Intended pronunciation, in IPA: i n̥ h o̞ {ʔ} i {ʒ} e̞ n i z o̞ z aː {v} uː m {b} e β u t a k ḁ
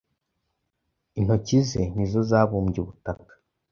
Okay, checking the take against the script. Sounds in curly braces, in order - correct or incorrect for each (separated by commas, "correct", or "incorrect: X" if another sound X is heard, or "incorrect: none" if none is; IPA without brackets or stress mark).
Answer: incorrect: c, incorrect: z, incorrect: β, incorrect: ɟ